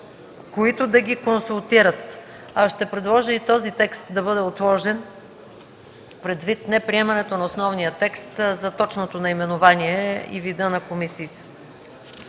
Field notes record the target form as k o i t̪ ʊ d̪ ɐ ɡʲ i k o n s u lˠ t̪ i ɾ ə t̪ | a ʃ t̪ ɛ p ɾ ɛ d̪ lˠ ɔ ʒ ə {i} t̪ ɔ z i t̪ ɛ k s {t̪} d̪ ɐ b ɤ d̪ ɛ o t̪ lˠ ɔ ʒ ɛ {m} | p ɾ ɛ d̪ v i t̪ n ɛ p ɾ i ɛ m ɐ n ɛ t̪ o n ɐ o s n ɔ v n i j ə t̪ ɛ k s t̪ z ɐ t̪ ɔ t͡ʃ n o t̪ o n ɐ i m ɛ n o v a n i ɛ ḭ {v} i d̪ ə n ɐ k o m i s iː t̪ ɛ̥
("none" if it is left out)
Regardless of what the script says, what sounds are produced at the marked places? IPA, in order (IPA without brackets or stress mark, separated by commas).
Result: i, t̪, n, v